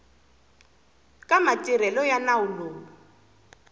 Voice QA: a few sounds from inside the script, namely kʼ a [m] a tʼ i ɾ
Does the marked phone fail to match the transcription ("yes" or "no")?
no